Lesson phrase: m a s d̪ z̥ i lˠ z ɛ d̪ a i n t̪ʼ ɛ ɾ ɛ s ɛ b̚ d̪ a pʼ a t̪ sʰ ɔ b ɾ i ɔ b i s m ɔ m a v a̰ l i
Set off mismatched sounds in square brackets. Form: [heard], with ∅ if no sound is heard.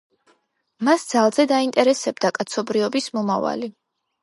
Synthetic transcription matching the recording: m a s d̪ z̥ [a] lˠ z ɛ d̪ a i n t̪ʼ ɛ ɾ ɛ s ɛ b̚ d̪ a [kʼ] a t̪ sʰ ɔ b ɾ i ɔ b i s m ɔ m a v a̰ l i